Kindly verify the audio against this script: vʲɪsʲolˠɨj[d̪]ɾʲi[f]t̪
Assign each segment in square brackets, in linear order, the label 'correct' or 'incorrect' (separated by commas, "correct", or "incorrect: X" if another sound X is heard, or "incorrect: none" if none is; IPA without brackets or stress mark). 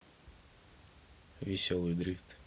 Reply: correct, correct